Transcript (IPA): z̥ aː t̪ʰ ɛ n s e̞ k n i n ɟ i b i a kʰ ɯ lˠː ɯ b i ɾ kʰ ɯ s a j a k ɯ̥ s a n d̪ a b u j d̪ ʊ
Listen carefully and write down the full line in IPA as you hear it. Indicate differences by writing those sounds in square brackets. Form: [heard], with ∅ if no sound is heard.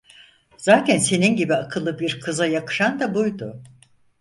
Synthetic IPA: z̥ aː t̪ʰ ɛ n s e̞ [∅] n i n ɟ i b i a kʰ ɯ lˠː ɯ b i ɾ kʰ ɯ [z] a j a k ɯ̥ [ʃ] a n d̪ a b u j d̪ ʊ